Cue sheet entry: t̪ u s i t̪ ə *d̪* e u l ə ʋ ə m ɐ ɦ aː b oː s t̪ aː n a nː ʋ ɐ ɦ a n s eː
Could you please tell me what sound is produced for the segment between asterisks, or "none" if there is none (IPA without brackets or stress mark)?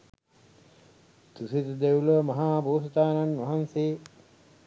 d̪